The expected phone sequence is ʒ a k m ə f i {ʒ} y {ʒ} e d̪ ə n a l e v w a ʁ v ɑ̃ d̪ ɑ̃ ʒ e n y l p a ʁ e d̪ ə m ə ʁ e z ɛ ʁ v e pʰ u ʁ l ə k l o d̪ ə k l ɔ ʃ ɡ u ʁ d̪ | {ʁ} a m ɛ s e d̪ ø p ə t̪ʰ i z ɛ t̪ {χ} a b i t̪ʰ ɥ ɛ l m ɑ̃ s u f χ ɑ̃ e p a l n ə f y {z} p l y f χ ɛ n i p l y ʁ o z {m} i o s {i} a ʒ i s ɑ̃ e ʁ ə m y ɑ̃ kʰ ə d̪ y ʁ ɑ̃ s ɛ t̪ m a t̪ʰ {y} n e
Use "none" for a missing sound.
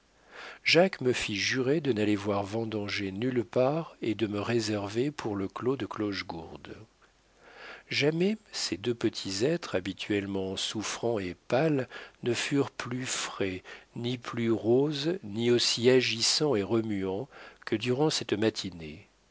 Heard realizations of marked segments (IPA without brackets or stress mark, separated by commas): ʒ, ʁ, ʒ, χ, ʁ, n, i, i